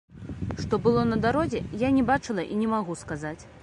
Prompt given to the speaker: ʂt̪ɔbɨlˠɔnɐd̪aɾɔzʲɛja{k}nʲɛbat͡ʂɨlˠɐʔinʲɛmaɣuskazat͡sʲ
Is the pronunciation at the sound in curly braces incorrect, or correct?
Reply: incorrect: none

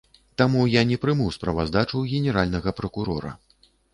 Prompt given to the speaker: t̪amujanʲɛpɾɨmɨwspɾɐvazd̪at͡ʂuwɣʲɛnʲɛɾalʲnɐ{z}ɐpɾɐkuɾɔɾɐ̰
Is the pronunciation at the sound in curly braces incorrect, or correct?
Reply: incorrect: ɣ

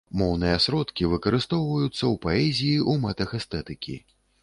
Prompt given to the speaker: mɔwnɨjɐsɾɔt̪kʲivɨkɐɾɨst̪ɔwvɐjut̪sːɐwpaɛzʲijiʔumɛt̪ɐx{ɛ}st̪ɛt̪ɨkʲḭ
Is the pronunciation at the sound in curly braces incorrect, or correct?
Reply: correct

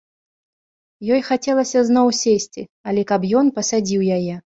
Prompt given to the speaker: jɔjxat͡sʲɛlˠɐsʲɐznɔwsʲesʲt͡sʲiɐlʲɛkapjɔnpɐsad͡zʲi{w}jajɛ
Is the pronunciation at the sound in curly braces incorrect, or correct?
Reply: correct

